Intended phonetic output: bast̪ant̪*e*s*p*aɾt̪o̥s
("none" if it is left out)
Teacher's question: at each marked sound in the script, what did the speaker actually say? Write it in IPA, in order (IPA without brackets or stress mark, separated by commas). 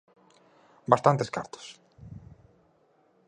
e, k